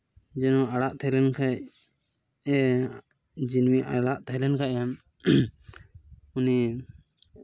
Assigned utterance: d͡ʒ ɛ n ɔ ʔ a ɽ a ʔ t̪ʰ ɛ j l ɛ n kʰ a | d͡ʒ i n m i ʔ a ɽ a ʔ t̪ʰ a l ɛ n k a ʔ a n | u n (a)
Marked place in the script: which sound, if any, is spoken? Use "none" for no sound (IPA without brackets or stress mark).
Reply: i